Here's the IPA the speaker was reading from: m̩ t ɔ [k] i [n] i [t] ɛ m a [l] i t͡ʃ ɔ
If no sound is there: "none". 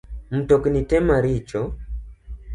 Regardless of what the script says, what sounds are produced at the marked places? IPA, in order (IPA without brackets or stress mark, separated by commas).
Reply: k, n, t, ɾ